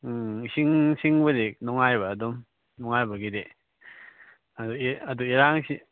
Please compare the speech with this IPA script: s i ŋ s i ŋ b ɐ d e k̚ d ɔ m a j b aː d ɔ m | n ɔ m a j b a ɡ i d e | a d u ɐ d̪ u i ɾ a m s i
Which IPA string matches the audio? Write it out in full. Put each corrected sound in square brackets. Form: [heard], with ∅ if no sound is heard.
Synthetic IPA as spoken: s i ŋ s i ŋ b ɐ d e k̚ [n] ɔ [ŋ] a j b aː d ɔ m | n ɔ [ŋ] a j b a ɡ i d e | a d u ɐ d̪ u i ɾ a [ŋ] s i